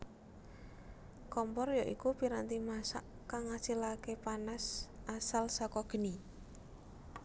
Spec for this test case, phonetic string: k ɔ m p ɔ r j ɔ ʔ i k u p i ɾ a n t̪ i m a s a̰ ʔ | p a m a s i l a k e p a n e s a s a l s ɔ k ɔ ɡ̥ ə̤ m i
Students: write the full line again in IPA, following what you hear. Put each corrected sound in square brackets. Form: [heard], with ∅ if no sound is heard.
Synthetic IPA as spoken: k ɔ m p ɔ r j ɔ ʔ i k u p i ɾ a n t̪ i m a s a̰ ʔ | [k] a [ŋ] a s i l a k e p a n [a] s a s a l s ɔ k ɔ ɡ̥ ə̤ [n] i